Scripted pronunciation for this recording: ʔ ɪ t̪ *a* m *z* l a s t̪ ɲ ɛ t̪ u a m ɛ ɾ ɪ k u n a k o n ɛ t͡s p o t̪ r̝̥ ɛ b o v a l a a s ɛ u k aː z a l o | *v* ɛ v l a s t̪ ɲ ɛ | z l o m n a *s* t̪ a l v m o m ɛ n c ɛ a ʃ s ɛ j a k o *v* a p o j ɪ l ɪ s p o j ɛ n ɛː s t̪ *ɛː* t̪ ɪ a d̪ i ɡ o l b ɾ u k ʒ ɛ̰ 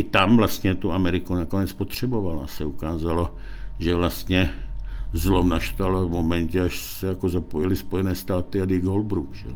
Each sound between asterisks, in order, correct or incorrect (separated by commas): correct, incorrect, incorrect, incorrect, incorrect, incorrect